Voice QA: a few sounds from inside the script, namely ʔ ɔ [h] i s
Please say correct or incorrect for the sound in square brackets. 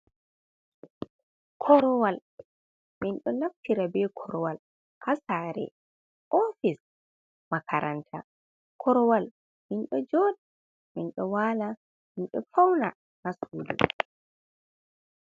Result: incorrect